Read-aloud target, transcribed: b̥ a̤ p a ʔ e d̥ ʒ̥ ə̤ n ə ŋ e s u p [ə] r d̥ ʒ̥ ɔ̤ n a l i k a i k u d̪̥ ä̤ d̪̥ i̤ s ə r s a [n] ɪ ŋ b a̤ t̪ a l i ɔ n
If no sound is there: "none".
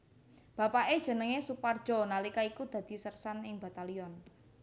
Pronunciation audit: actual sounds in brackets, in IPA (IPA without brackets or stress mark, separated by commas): a, n